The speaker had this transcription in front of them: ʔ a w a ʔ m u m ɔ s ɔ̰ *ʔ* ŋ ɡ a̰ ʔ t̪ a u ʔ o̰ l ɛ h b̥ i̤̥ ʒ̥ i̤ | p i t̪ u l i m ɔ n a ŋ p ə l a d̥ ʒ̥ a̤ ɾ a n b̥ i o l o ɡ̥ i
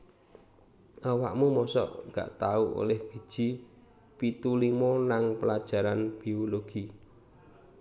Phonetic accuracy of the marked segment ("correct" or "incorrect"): correct